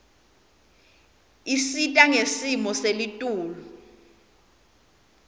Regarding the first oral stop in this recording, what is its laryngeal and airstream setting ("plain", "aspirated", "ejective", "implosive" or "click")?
ejective